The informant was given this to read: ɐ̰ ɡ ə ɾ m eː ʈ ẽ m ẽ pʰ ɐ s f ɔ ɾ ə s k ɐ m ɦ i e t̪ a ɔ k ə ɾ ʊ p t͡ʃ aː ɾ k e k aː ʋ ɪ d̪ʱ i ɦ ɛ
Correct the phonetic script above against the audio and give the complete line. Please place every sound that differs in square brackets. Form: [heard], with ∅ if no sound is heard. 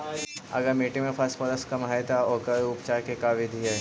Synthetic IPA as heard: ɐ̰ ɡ ə ɾ m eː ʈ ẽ m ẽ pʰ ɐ s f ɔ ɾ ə s k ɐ m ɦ [a] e t̪ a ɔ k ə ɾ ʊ p t͡ʃ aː ɾ k e k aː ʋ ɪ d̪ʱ i ɦ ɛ